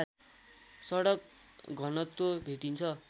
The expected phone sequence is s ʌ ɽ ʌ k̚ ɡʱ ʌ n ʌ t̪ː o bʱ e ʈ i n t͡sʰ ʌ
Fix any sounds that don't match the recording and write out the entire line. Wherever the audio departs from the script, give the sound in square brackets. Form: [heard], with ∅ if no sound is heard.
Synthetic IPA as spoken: s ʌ ɽ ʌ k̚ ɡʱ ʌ n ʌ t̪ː o bʱ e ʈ i n t͡sʰ ʌ